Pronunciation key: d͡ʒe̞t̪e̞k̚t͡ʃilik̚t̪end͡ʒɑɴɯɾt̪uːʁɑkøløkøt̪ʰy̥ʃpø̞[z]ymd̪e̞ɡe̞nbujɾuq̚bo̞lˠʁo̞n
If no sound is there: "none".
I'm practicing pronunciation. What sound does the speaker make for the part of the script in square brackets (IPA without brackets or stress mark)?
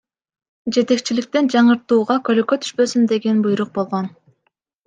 s